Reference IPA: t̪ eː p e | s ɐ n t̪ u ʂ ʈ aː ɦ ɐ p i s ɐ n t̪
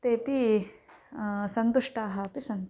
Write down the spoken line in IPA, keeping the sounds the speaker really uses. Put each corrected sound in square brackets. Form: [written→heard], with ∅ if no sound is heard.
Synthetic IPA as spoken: t̪ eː p [e→i] | s ɐ n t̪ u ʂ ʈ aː ɦ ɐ p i s ɐ n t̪

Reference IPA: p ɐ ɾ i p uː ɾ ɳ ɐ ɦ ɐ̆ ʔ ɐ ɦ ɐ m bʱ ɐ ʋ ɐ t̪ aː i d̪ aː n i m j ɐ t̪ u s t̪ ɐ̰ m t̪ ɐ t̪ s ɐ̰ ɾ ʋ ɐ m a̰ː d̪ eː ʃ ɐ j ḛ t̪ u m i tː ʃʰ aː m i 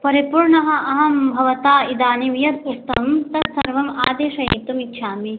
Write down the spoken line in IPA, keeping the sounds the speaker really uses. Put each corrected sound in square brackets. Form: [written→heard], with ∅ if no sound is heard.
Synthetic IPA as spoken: p ɐ ɾ i p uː ɾ ɳ ɐ ɦ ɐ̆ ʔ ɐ ɦ ɐ m bʱ ɐ ʋ ɐ t̪ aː i d̪ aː n i m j ɐ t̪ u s t̪ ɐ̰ m t̪ ɐ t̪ s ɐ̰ ɾ ʋ ɐ m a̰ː d̪ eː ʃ ɐ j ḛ t̪ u m i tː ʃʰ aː m i

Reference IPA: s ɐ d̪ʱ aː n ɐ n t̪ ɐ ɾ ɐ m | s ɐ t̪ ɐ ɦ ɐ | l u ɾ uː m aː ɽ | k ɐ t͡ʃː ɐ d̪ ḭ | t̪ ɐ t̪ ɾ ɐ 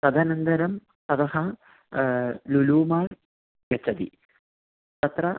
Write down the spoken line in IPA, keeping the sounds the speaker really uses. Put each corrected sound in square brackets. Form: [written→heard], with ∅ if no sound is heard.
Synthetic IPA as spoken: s ɐ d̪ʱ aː n ɐ n [t̪→d̪] ɐ ɾ ɐ m | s ɐ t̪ ɐ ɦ ɐ | l u [ɾ→l] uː m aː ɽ | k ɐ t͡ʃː ɐ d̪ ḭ | t̪ ɐ t̪ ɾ ɐ

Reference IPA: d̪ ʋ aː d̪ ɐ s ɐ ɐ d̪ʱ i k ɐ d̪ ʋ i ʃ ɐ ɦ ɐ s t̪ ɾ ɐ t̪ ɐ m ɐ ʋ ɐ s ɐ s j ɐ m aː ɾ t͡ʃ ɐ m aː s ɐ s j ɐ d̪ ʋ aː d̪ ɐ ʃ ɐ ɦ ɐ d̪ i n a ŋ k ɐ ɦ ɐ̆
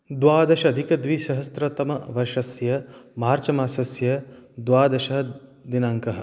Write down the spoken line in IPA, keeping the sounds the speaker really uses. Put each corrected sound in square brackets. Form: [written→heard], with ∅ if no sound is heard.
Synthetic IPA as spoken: d̪ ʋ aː d̪ ɐ [s→ʃ] ɐ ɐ d̪ʱ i k ɐ d̪ ʋ i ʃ ɐ ɦ ɐ s t̪ ɾ ɐ t̪ ɐ m ɐ ʋ ɐ [s→ʃ] ɐ s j ɐ m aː ɾ t͡ʃ ɐ m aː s ɐ s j ɐ d̪ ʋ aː d̪ ɐ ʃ ɐ ɦ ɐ d̪ i n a ŋ k ɐ ɦ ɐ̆

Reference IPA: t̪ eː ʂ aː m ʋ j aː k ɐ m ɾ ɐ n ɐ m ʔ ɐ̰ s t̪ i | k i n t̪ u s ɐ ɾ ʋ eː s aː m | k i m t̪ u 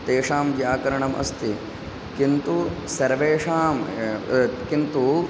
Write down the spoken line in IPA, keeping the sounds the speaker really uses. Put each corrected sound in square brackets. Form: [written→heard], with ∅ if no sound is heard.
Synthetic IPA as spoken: t̪ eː ʂ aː m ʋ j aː k ɐ [m→∅] ɾ ɐ [n→ɳ] ɐ m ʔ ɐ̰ s t̪ i | k i n t̪ u s ɐ ɾ ʋ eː [s→ʂ] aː m | k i [m→n] t̪ u

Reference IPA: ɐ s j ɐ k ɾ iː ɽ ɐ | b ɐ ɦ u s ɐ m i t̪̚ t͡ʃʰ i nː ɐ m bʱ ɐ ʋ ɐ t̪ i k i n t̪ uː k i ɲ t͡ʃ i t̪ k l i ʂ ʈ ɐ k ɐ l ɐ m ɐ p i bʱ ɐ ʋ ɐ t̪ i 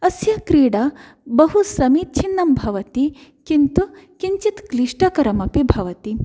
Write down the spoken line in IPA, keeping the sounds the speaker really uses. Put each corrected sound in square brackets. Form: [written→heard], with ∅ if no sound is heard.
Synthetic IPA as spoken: ɐ s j ɐ k ɾ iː ɽ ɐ | b ɐ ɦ u s ɐ m i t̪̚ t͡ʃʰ i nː ɐ m bʱ ɐ ʋ ɐ t̪ i k i n t̪ [uː→u] k i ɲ t͡ʃ i t̪ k l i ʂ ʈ ɐ k ɐ [l→ɾ] ɐ m ɐ p i bʱ ɐ ʋ ɐ t̪ i

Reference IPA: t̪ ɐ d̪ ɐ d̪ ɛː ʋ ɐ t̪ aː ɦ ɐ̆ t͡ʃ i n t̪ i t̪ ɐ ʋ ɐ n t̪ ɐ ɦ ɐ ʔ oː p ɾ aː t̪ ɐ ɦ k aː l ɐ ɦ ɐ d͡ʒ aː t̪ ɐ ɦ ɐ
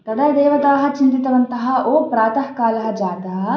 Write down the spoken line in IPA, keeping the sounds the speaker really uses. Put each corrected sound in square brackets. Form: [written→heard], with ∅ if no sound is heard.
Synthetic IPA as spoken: t̪ ɐ d̪ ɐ d̪ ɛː ʋ ɐ t̪ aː ɦ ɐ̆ t͡ʃ i n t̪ i t̪ ɐ ʋ ɐ n t̪ ɐ ɦ ɐ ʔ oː p ɾ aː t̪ ɐ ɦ k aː l ɐ ɦ ɐ d͡ʒ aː t̪ ɐ ɦ ɐ

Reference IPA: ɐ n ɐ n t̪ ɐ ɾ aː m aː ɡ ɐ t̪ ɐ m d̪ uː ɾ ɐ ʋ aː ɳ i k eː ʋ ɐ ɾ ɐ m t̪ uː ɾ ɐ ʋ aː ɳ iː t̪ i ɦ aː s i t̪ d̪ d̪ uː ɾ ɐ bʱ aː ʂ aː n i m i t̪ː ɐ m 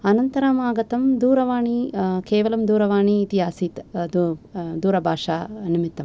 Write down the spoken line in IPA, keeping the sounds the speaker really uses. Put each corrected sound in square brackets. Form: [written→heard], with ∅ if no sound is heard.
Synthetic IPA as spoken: ɐ n ɐ n t̪ ɐ ɾ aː m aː ɡ ɐ t̪ ɐ m d̪ uː ɾ ɐ ʋ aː ɳ i k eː ʋ ɐ [ɾ→l] ɐ m [t̪→d̪] uː ɾ ɐ ʋ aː ɳ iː t̪ i ɦ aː s i t̪ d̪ d̪ uː ɾ ɐ bʱ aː ʂ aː n i m i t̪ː ɐ m

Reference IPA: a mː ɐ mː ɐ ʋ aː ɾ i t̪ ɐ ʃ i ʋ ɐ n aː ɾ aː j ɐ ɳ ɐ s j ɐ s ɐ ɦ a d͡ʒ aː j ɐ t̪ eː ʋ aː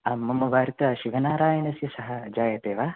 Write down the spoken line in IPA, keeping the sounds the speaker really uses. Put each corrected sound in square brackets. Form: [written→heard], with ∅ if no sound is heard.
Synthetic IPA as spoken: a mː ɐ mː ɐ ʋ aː ɾ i t̪ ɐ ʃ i ʋ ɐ n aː ɾ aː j ɐ [ɳ→n] ɐ s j ɐ s ɐ ɦ [a→ɐ] d͡ʒ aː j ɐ t̪ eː ʋ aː

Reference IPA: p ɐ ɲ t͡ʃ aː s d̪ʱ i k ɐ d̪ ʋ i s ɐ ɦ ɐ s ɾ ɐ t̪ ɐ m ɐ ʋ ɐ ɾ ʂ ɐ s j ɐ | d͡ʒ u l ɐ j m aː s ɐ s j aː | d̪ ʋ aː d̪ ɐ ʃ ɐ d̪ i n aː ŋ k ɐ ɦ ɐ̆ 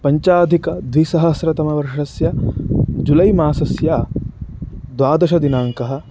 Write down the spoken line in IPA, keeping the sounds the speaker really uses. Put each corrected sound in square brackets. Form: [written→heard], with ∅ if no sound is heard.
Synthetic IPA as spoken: p ɐ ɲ t͡ʃ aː [s→∅] d̪ʱ i k ɐ d̪ ʋ i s ɐ ɦ ɐ s ɾ ɐ t̪ ɐ m ɐ ʋ ɐ ɾ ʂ ɐ s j ɐ | d͡ʒ u l ɐ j m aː s ɐ s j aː | d̪ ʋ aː d̪ ɐ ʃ ɐ d̪ i n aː ŋ k ɐ ɦ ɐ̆

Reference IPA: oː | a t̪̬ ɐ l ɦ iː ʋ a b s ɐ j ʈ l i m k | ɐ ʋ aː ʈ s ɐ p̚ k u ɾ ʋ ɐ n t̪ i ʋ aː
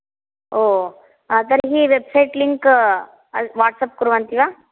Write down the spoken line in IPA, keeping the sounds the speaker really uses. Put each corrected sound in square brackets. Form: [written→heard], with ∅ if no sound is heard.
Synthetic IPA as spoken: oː | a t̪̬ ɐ [l→ɾ] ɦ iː ʋ [a→e] b s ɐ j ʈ l i [m→ŋ] k | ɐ ʋ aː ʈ s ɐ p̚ k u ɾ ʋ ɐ n t̪ i ʋ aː

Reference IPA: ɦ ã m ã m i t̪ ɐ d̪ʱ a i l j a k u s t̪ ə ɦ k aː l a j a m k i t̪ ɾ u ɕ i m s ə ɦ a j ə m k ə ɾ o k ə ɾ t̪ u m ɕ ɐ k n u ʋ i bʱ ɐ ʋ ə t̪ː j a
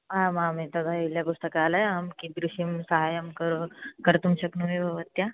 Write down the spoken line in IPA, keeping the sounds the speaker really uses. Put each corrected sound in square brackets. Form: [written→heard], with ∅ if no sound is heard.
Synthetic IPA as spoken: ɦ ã m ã m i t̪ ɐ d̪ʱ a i l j a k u s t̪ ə [ɦ→∅] k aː l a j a m k i [t̪→d̪] ɾ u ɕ i m s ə ɦ a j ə m k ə ɾ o k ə ɾ t̪ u m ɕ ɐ k n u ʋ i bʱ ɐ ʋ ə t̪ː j a

